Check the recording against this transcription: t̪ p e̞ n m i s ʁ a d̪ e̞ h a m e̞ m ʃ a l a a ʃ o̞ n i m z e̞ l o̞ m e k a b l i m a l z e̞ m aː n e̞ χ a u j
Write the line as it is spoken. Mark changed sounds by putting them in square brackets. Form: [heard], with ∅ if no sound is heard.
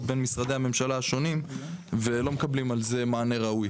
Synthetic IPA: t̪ [b] e̞ n m i s ʁ a d̪ e̞ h a m e̞ m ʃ a l a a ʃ o̞ n i m [v] e̞ l o̞ m e k a b l i m a l z e̞ m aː n e̞ [ʁ] a u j